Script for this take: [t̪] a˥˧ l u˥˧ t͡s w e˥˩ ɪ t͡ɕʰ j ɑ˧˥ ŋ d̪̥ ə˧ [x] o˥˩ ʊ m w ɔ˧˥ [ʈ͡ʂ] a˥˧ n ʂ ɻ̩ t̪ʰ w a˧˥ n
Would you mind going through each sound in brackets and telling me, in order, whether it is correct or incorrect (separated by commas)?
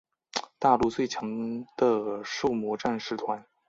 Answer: correct, incorrect, correct